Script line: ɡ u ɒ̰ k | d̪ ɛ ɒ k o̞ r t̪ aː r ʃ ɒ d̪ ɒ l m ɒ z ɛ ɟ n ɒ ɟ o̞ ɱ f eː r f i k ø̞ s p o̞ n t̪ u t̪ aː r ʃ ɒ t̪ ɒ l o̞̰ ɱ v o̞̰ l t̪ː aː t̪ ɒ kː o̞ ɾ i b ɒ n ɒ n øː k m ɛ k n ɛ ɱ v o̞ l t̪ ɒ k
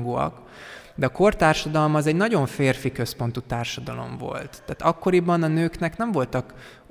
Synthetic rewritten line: ɡ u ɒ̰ k | d̪ ɛ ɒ k o̞ r t̪ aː r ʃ ɒ d̪ ɒ l m ɒ z ɛ ɟ n ɒ ɟ o̞ ɱ f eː r f i k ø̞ s p o̞ n t̪ u t̪ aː r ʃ ɒ d̪ ɒ l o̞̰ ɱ v o̞̰ l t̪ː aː t̪ ɒ kː o̞ ɾ i b ɒ n ɒ n øː k n ɛ k n ɛ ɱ v o̞ l t̪ ɒ k